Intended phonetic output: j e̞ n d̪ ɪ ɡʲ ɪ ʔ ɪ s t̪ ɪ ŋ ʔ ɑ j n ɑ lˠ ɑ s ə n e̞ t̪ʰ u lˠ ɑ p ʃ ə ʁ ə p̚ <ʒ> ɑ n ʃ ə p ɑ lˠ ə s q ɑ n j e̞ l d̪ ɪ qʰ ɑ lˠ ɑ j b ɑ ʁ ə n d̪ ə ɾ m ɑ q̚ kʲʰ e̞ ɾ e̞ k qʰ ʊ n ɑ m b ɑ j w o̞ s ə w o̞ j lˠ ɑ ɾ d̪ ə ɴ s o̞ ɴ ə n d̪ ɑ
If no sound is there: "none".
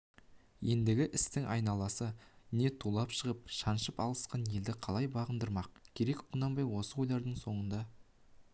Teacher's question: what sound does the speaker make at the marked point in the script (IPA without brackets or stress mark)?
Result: ʃ